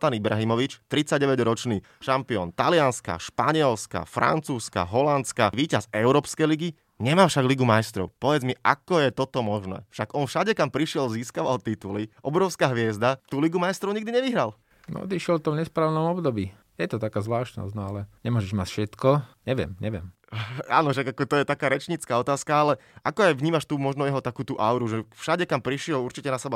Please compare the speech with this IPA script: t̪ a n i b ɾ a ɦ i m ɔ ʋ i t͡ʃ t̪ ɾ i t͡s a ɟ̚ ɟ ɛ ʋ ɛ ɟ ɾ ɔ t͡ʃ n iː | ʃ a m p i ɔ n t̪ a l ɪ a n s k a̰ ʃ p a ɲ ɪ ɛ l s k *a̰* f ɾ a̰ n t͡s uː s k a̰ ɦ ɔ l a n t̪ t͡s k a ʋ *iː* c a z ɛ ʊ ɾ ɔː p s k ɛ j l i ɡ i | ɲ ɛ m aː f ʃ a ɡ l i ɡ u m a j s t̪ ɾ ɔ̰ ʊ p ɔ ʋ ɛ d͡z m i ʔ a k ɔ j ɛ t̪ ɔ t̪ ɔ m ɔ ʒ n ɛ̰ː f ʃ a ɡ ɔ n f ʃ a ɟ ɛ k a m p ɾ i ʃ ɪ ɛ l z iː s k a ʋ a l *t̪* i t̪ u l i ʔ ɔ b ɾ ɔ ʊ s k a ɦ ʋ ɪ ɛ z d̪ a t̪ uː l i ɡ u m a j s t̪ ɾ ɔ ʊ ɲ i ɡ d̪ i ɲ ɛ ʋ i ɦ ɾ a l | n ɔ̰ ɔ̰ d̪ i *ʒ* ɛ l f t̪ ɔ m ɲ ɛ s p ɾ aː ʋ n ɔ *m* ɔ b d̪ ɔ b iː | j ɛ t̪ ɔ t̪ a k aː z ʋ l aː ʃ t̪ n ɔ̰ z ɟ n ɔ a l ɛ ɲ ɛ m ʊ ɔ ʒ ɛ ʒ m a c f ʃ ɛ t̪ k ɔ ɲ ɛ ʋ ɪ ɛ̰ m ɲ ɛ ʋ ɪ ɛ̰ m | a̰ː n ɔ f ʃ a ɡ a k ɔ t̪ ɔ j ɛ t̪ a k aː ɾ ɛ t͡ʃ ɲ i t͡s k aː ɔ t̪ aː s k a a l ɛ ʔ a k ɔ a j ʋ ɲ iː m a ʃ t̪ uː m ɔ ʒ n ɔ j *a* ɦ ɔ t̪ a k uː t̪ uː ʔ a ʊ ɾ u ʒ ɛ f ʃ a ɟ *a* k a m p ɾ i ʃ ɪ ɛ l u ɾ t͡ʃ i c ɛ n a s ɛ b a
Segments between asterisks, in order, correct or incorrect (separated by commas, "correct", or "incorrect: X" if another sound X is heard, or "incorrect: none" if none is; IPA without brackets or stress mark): correct, correct, correct, incorrect: ʃ, correct, incorrect: ɛ, incorrect: ɛ